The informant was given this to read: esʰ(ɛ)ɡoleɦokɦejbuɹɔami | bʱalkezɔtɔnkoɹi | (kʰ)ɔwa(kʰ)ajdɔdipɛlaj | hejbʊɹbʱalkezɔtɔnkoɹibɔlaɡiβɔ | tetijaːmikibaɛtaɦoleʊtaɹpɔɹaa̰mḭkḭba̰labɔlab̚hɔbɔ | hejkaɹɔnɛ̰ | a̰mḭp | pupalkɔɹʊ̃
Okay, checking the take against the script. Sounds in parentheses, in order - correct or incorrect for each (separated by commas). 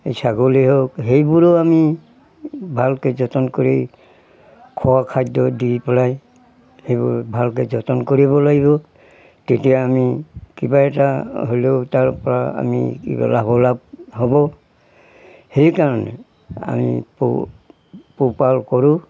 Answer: incorrect, correct, correct